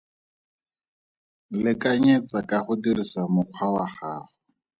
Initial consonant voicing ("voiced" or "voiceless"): voiced